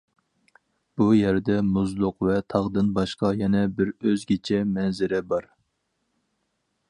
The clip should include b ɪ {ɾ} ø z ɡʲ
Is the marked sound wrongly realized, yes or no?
no